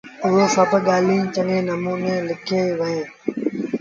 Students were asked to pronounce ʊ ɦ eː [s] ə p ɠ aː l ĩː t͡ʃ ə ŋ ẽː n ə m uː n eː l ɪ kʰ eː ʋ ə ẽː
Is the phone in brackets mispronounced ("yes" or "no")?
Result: no